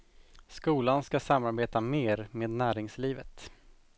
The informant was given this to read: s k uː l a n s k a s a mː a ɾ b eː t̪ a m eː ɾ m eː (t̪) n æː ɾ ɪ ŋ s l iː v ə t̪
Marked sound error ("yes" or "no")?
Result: yes